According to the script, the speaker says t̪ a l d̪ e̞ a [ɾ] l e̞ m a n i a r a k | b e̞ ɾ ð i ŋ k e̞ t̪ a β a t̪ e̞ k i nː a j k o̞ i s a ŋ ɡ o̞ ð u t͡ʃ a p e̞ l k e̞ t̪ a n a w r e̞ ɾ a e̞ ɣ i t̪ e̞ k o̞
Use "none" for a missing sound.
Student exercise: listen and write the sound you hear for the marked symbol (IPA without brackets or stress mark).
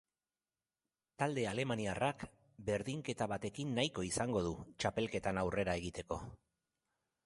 none